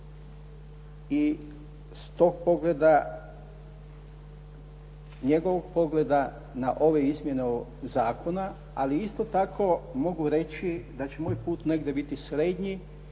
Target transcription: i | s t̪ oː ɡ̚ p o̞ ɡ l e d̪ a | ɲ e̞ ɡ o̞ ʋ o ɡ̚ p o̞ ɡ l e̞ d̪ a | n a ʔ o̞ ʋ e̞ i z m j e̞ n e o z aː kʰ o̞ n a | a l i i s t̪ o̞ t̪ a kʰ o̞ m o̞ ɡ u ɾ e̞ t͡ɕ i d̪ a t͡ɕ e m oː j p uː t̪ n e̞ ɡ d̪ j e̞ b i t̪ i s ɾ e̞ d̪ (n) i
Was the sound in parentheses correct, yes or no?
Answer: no